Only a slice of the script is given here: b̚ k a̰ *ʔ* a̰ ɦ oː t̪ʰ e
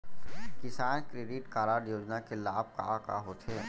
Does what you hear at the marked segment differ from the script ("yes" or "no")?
yes